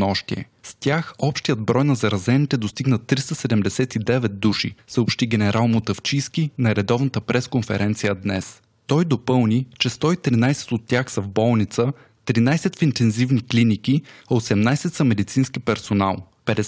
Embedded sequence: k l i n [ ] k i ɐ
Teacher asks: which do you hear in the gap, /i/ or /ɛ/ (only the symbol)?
i